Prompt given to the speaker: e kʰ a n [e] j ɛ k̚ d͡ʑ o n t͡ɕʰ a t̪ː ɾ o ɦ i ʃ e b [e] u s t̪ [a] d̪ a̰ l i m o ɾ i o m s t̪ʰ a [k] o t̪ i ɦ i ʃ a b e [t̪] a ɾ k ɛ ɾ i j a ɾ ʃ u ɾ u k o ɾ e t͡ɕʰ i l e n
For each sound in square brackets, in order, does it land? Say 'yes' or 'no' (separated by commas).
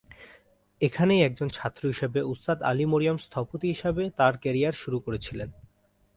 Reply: yes, yes, yes, no, yes